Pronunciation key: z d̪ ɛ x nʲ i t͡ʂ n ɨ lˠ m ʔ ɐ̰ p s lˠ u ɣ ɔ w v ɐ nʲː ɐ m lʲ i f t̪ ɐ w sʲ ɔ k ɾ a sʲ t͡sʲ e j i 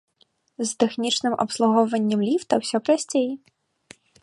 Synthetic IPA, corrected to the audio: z t̪ ɛ x nʲ i t͡ʂ n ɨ m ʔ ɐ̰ p s lˠ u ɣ ɔ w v ɐ nʲː ɐ m lʲ i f t̪ ɐ w sʲ ɔ p ɾ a sʲ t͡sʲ e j i